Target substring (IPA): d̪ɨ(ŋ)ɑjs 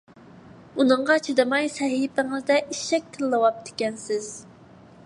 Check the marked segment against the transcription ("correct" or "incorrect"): incorrect